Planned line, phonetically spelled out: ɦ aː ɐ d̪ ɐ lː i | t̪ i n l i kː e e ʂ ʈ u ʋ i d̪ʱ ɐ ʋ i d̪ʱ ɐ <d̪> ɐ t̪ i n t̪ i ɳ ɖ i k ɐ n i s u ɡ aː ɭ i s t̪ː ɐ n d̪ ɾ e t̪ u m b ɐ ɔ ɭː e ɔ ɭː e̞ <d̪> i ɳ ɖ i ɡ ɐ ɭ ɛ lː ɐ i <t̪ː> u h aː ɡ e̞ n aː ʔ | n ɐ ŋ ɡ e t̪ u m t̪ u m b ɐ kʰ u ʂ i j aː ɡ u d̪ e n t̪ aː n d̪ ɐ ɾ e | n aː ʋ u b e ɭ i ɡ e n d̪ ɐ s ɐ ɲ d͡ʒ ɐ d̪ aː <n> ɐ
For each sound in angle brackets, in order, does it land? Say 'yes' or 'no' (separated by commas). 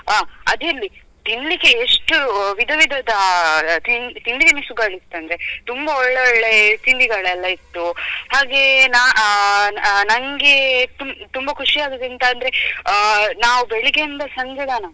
yes, no, yes, yes